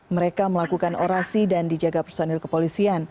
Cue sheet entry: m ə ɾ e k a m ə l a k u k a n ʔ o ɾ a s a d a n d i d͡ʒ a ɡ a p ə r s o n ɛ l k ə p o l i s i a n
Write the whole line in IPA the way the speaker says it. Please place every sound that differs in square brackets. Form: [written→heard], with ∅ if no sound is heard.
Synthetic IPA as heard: m ə ɾ e k a m ə l a k u k a n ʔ o ɾ a s [a→i] d a n d i d͡ʒ a ɡ a p ə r s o n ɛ l k ə p o l i s i a n

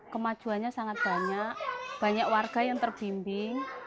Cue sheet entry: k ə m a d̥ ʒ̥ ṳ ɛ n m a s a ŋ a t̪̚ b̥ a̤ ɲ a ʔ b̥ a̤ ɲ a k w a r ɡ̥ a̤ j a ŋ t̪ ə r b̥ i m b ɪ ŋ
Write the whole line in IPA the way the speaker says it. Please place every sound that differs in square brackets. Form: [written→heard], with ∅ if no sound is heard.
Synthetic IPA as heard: k ə m a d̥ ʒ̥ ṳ [ɛ→a] n [m→ɲ] a s a ŋ a t̪̚ b̥ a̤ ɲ a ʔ b̥ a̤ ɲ a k w a r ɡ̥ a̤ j a ŋ t̪ ə r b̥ i m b ɪ ŋ

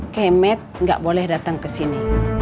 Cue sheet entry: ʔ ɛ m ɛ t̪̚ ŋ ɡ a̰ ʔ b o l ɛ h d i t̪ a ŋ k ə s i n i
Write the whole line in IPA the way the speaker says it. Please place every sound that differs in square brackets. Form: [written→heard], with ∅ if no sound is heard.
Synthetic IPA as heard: [ʔ→k] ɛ m ɛ t̪̚ ŋ ɡ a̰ ʔ b o l ɛ h d [i→a] t̪ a ŋ k ə s i n i

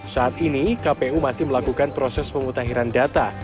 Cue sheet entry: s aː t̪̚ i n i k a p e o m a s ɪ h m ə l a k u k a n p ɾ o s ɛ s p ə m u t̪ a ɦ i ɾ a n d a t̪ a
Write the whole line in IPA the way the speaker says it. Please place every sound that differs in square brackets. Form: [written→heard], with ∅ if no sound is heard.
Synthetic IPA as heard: s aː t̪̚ i n i k a p e [o→u] m a s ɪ h m ə l a k u k a n p ɾ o s ɛ s p ə m u t̪ a ɦ i ɾ a n d a t̪ a

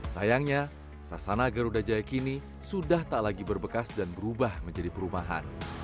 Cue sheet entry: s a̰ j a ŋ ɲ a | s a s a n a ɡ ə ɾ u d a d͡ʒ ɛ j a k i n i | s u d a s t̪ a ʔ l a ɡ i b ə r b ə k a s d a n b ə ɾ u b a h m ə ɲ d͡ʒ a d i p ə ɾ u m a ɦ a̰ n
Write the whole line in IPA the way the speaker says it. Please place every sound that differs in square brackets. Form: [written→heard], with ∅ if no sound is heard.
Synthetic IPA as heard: s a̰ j a ŋ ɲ a | s a s a n a ɡ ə ɾ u d a d͡ʒ [ɛ→a] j a k i n i | s u d a [s→h] t̪ a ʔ l a ɡ i b ə r b ə k a s d a n b ə ɾ u b a h m ə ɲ d͡ʒ a d i p ə ɾ u m a ɦ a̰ n

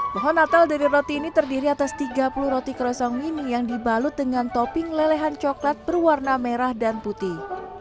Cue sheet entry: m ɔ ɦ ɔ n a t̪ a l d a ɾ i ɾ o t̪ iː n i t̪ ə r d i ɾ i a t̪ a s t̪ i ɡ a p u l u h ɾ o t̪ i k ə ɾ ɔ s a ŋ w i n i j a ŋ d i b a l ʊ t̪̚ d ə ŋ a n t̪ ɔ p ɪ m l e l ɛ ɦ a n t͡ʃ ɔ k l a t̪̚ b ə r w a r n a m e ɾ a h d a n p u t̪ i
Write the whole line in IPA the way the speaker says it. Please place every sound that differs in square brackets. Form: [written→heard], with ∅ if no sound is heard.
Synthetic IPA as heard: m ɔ ɦ ɔ n a t̪ a l d a ɾ i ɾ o t̪ iː n i t̪ ə r d i ɾ i a t̪ a s t̪ i ɡ a p u l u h ɾ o t̪ i k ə ɾ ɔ s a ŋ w i n i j a ŋ d i b a l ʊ t̪̚ d ə ŋ a n t̪ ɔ p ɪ [m→ŋ] l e l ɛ ɦ a n t͡ʃ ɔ k l a t̪̚ b ə r w a r n a m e ɾ a h d a n p u t̪ i

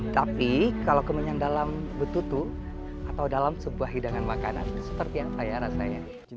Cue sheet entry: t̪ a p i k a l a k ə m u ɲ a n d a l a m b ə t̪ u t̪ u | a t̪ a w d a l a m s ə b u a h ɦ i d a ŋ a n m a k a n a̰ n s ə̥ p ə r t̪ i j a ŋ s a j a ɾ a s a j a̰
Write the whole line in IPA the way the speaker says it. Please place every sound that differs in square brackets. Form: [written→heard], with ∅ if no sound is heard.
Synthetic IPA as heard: t̪ a p i k a l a k ə m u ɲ a n d a l a m b ə t̪ u t̪ u | a t̪ a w d a l a m s ə b u a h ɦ i d a ŋ a n m a k a n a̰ n s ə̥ p ə r t̪ i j a ŋ s a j a ɾ a s a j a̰

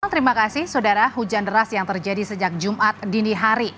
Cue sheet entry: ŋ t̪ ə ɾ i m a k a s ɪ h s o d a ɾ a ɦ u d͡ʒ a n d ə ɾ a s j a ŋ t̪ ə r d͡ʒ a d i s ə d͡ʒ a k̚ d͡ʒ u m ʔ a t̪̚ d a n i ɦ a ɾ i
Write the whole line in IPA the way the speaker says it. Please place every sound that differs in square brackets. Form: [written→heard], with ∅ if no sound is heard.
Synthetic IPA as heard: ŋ t̪ ə ɾ i m a k a s ɪ h s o d a ɾ a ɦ u d͡ʒ a n d ə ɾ a s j a ŋ t̪ ə r d͡ʒ a d i s ə d͡ʒ a k̚ d͡ʒ u m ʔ a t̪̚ d [a→i] n i ɦ a ɾ i

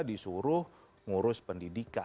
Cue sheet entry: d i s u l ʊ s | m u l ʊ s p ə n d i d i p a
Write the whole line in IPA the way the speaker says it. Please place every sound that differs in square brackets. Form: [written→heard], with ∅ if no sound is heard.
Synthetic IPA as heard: d i s u [l→ɾ] ʊ [s→h] | [m→ŋ] u [l→ɾ] ʊ s p ə n d i d i [p→k] a

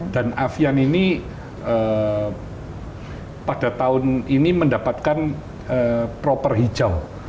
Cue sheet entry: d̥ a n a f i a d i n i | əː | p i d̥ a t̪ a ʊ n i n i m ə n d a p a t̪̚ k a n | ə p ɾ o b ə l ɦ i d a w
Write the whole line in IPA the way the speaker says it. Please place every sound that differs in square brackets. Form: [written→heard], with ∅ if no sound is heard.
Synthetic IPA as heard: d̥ a n a f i a [d→n] i n i | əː | p [i→a] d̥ a t̪ a ʊ n i n i m ə n d a p a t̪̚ k a n | ə p ɾ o [b→p] ə [l→r] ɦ i [d→d͡ʒ] a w

